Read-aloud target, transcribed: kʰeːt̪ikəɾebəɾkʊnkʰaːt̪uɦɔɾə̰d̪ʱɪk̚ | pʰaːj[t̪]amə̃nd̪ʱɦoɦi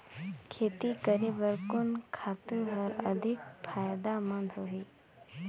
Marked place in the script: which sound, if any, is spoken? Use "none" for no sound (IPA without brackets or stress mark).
d̪